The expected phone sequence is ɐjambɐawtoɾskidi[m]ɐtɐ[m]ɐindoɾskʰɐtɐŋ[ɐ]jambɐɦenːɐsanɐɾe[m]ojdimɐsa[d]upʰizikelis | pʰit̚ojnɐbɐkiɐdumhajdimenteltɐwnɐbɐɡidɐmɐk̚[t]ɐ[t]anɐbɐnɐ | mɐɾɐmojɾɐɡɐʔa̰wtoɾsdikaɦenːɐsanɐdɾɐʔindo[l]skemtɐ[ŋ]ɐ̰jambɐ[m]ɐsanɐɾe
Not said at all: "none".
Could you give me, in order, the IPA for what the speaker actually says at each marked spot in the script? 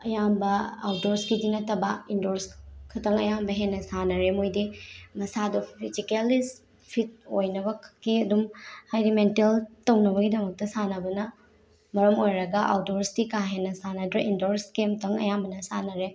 n, b, ɐ, m, d, t, s, ɾ, ŋ, n

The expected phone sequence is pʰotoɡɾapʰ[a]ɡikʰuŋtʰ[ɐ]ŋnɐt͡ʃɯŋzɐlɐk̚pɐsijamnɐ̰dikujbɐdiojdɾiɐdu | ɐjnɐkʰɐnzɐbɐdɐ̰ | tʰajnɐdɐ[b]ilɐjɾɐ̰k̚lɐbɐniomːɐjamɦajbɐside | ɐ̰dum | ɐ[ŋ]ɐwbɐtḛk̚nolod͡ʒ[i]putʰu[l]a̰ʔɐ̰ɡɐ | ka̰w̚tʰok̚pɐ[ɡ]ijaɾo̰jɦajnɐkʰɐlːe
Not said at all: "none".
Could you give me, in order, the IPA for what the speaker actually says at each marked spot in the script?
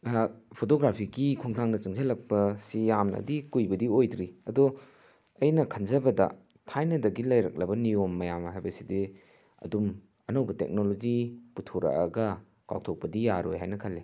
i, a, ɡ, n, i, ɾ, d

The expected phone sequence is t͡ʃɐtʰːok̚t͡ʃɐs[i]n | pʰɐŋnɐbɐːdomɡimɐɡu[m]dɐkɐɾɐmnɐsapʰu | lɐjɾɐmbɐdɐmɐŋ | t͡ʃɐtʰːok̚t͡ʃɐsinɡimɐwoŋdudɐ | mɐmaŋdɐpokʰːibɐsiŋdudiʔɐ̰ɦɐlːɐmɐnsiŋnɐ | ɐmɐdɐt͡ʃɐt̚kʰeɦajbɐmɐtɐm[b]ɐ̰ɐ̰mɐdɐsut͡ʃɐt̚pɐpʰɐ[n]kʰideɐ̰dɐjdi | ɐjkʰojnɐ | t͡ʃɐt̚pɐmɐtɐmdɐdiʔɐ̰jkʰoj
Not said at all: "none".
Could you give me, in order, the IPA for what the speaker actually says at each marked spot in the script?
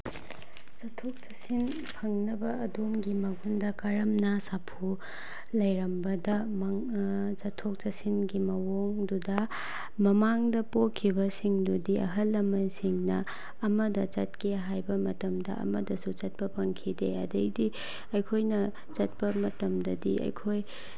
i, n, d, ŋ

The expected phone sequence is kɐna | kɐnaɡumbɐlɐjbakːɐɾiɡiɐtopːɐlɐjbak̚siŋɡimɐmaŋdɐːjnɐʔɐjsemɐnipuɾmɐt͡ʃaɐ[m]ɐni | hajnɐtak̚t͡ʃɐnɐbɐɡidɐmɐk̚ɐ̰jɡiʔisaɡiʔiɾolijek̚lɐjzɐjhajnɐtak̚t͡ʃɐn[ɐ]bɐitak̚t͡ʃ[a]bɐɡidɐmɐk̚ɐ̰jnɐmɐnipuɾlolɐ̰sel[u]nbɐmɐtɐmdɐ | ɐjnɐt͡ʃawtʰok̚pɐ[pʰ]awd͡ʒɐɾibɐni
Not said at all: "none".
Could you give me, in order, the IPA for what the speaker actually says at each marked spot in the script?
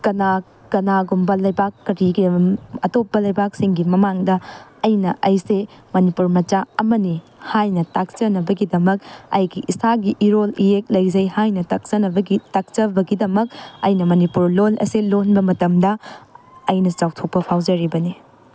m, ɐ, ɐ, o, pʰ

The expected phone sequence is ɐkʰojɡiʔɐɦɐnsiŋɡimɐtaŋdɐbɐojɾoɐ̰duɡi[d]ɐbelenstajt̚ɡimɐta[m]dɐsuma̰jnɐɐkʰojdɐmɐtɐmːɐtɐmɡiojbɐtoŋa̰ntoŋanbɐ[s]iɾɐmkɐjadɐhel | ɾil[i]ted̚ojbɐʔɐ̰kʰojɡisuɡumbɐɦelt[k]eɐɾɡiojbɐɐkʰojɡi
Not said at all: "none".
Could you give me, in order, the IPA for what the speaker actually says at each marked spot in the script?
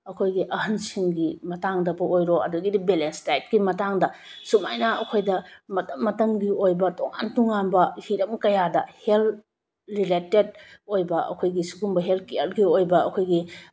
d, ŋ, h, e, k

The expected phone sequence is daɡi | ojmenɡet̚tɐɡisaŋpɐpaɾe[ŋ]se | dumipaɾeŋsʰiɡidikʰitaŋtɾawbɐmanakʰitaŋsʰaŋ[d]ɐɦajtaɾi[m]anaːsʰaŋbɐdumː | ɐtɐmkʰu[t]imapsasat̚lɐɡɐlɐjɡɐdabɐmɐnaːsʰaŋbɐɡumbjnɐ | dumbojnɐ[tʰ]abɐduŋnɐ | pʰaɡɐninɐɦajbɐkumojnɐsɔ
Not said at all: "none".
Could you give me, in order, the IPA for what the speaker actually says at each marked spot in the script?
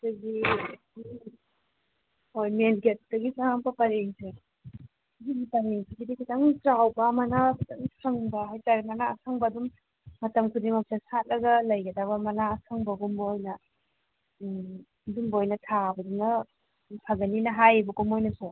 ŋ, b, m, d, tʰ

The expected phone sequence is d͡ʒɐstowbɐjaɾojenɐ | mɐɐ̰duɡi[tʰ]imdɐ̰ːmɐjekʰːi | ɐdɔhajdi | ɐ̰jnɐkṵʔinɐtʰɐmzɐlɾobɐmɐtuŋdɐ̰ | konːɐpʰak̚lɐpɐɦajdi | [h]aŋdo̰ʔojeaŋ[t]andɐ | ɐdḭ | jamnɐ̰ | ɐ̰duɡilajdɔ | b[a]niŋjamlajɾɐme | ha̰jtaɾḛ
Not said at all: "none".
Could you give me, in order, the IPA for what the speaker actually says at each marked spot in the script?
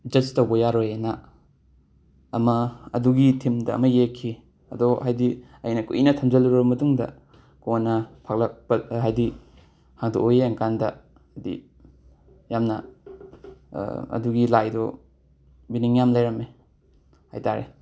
tʰ, h, k, i

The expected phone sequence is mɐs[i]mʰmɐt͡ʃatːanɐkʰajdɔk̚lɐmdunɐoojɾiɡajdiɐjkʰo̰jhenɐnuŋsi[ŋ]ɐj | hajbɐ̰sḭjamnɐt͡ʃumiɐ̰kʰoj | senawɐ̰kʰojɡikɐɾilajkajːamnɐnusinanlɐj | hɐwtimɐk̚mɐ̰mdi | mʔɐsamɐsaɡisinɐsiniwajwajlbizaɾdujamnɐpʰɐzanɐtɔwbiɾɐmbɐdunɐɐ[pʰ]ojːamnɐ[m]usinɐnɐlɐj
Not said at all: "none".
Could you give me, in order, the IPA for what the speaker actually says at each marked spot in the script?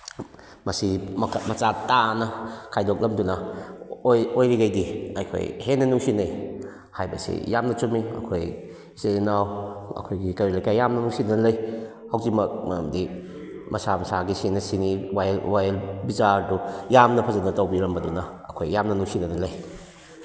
i, n, kʰ, n

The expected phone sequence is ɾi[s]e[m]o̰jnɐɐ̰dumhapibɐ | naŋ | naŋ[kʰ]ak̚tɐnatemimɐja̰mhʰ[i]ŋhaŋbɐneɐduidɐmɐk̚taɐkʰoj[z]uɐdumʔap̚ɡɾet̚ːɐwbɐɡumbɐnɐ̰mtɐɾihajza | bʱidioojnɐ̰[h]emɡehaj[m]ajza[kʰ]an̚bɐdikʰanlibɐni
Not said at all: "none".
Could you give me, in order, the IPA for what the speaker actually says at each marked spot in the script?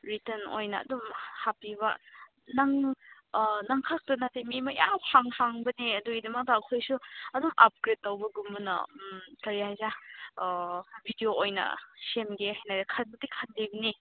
t, n, kʰ, a, s, s, n, kʰ

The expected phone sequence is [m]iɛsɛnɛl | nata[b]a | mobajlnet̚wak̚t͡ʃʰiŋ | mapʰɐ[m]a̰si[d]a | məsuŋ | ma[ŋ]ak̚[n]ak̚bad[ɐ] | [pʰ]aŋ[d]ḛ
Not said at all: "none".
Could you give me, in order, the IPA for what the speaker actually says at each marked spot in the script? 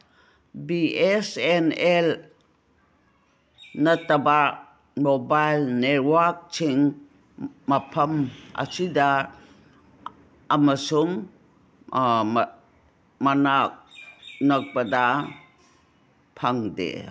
b, b, m, d, n, n, a, pʰ, d

